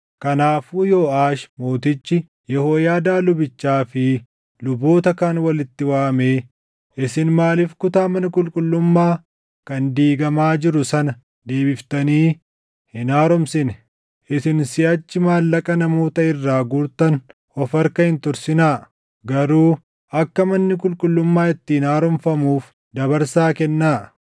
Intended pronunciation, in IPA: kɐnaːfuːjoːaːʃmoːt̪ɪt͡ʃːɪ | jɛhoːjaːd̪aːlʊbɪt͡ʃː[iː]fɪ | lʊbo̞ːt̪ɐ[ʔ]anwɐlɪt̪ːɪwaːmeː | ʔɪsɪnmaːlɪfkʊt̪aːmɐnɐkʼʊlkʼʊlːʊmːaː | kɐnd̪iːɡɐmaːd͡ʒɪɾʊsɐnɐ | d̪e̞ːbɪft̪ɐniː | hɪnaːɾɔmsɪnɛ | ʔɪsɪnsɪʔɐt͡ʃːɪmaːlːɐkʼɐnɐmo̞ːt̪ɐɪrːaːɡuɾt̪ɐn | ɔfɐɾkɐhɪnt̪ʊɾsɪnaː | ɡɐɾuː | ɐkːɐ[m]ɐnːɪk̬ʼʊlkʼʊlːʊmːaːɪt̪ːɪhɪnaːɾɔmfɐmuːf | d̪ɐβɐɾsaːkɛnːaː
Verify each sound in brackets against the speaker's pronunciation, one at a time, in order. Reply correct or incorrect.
incorrect, incorrect, correct

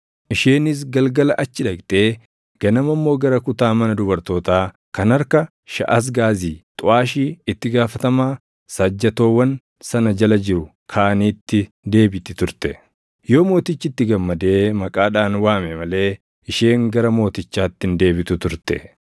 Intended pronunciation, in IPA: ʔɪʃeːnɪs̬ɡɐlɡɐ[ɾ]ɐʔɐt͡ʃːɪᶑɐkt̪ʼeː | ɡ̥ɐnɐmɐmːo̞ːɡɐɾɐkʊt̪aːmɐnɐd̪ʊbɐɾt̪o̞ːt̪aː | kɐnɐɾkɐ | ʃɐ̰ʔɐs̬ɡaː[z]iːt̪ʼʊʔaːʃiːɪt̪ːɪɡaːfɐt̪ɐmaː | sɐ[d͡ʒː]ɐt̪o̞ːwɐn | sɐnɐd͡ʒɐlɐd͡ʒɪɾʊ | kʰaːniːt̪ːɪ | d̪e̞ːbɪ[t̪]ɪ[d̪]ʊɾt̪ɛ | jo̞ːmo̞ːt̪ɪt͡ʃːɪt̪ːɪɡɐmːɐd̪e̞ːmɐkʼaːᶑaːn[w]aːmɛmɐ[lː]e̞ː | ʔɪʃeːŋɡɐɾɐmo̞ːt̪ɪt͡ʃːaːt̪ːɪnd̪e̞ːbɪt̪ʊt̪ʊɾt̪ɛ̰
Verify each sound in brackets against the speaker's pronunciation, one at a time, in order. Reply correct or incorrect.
incorrect, correct, correct, correct, incorrect, correct, incorrect

